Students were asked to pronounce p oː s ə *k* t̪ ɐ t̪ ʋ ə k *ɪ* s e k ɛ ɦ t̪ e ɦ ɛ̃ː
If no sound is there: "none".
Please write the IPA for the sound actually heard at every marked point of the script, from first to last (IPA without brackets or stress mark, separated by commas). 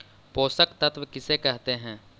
k, ɪ